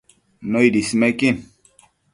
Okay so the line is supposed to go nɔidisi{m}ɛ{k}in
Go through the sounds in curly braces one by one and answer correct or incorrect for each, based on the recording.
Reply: correct, correct

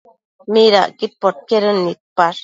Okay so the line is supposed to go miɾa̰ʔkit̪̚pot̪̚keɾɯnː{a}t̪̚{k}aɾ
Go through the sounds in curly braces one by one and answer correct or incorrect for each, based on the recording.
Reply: incorrect: i, incorrect: p

